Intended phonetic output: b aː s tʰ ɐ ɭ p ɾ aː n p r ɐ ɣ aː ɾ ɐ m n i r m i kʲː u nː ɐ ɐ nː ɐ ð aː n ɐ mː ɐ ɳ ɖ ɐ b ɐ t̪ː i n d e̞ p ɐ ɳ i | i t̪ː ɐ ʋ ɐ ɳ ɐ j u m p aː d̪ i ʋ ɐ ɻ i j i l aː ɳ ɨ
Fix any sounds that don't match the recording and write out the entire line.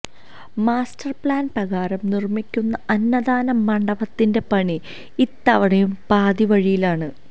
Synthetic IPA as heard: m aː s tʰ ɐ r p ɭ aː n p r ɐ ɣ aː ɾ ɐ m n i r m i kʲː u nː ɐ ɐ nː ɐ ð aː n ɐ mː ɐ ɳ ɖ ɐ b ɐ t̪ː i n d e̞ p ɐ ɳ i | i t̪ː ɐ ʋ ɐ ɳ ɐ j u m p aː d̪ i ʋ ɐ ɻ i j i l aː ɳ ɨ